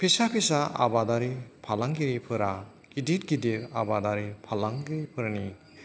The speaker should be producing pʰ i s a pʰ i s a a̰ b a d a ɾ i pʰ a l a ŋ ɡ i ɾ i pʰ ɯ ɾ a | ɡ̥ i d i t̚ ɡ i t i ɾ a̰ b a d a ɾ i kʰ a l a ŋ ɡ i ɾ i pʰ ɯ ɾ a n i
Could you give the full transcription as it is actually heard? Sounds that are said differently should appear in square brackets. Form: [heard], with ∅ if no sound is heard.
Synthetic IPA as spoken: pʰ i s a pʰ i s a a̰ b a d a ɾ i pʰ a l a ŋ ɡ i ɾ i pʰ ɯ ɾ a | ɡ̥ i d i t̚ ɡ i [d] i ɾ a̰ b a d a ɾ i [pʰ] a l a ŋ ɡ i ɾ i pʰ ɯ ɾ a n i